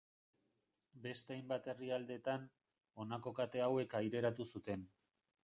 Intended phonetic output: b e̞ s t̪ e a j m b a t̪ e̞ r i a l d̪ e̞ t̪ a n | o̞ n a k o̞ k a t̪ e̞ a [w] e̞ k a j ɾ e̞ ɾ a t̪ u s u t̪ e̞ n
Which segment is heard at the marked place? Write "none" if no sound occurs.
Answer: w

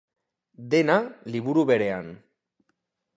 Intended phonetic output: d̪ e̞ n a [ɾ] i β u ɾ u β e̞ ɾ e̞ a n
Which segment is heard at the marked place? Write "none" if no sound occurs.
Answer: l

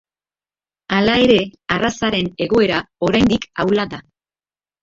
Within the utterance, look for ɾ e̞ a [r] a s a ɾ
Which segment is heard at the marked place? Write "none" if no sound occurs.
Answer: r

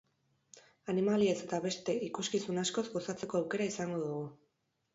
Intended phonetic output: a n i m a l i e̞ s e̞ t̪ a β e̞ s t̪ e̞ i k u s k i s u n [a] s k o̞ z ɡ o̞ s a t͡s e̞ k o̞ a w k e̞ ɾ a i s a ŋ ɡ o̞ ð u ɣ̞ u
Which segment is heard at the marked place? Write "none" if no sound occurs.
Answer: a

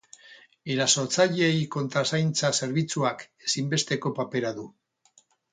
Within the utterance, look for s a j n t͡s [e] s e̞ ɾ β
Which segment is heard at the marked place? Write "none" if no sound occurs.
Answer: a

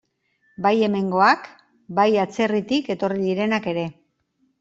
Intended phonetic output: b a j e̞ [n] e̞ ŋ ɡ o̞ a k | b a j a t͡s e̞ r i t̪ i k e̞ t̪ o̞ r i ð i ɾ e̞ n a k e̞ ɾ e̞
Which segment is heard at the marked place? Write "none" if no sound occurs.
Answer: m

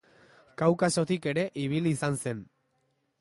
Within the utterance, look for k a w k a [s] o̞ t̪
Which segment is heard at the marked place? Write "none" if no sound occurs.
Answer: s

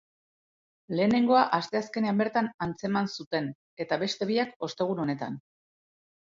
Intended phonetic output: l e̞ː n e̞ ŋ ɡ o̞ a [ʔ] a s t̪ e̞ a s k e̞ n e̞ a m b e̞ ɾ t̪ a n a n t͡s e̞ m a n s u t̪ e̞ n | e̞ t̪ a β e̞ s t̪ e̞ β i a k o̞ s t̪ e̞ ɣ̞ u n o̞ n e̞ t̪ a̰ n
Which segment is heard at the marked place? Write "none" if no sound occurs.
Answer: ʔ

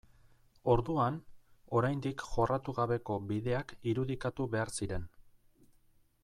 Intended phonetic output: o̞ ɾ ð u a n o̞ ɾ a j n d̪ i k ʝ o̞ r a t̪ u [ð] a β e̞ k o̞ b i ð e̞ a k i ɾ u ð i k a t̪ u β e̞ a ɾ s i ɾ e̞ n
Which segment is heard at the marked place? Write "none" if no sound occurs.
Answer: ɣ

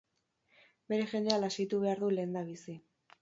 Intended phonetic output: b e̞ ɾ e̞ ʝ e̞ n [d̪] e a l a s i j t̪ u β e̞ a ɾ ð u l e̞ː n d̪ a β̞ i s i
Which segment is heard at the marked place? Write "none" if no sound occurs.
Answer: d̪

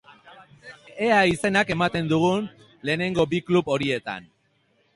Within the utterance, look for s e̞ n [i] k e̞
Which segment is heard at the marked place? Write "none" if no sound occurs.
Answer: a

